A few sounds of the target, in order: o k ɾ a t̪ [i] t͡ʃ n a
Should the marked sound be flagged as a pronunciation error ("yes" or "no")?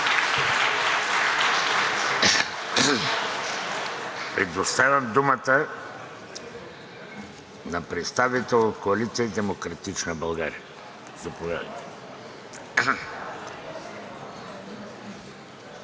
no